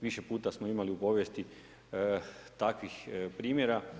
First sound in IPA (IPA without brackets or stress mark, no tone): ʋ